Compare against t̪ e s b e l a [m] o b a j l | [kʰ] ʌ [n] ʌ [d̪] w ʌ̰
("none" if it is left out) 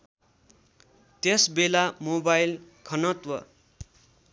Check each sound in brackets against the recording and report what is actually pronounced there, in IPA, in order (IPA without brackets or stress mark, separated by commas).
m, kʰ, n, t̪